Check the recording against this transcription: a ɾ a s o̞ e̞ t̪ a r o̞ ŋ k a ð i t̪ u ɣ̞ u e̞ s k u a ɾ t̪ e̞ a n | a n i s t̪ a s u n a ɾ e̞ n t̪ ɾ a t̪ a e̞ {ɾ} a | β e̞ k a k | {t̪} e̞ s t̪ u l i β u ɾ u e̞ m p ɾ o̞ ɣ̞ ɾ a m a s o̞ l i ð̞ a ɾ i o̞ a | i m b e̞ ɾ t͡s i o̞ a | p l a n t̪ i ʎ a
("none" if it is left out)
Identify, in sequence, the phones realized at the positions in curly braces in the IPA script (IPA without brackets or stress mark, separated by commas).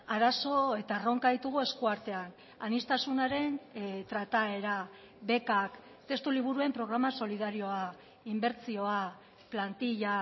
ɾ, t̪